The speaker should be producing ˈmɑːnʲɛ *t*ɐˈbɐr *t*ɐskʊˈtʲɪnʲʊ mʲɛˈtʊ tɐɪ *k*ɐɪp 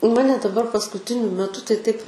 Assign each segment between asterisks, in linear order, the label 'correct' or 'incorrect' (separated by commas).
incorrect, incorrect, incorrect